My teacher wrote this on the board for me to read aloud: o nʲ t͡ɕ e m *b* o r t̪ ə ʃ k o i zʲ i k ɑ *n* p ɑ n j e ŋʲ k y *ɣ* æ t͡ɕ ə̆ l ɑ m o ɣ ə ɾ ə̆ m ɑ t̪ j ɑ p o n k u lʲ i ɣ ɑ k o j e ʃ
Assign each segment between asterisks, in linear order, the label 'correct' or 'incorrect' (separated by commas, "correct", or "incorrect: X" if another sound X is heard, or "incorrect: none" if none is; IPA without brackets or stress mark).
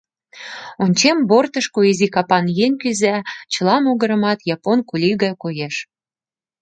correct, incorrect: none, incorrect: z